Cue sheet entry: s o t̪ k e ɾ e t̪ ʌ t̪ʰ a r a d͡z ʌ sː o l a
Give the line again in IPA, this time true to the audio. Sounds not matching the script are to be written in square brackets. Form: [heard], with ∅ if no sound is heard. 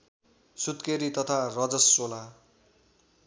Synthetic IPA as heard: s [u] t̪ k e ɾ [i] t̪ ʌ t̪ʰ a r [ʌ] d͡z ʌ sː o l a